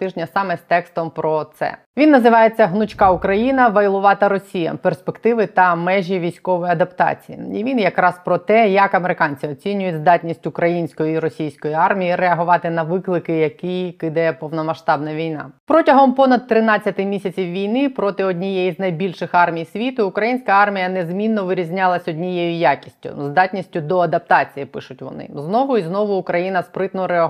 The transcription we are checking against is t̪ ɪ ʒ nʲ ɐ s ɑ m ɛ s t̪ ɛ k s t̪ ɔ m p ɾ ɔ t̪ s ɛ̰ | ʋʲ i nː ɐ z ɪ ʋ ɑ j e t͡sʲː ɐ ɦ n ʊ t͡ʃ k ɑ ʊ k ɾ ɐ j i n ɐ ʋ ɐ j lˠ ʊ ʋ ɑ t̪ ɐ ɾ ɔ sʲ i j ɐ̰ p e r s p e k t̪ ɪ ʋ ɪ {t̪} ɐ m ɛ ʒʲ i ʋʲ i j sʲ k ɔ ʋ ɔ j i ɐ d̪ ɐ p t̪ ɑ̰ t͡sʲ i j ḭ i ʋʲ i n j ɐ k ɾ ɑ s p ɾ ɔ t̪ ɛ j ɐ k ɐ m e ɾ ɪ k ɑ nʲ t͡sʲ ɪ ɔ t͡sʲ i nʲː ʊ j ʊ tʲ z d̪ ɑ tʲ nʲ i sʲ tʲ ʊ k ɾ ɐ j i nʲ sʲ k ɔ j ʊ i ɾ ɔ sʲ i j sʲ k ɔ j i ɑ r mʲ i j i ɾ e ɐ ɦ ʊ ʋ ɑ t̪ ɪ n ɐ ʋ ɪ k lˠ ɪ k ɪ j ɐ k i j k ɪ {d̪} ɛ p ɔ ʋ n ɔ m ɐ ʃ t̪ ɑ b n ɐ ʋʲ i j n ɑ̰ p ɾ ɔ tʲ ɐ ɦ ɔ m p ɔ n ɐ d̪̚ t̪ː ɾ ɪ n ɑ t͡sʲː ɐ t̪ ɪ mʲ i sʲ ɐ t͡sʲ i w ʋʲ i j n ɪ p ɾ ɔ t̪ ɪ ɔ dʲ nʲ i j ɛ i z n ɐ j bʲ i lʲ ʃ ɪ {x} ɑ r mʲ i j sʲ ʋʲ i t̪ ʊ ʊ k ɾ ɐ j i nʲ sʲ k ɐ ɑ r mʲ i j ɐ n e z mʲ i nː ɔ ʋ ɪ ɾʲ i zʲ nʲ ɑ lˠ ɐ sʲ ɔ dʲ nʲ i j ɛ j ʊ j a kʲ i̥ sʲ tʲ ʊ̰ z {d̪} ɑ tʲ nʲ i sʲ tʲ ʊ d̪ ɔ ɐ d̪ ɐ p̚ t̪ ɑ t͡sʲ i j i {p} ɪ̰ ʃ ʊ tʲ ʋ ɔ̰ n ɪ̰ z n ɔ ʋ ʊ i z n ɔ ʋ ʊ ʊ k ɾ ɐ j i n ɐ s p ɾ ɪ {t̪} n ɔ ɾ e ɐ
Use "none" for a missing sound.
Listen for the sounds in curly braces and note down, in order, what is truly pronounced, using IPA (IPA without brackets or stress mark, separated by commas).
t̪, d̪, x, d̪, p, t̪